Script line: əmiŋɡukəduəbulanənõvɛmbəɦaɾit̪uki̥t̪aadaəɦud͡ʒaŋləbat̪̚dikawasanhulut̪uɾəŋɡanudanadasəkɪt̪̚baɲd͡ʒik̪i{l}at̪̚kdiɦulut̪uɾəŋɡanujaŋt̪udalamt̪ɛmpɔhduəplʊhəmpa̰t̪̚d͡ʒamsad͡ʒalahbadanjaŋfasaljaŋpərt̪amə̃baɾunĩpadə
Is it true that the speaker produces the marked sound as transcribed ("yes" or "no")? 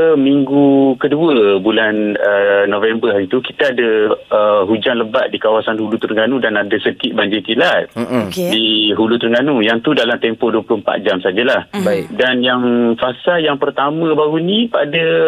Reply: yes